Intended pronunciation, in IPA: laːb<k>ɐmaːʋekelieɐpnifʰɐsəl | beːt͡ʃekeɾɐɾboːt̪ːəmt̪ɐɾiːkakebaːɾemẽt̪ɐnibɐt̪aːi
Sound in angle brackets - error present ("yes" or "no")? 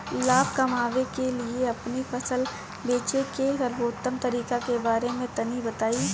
no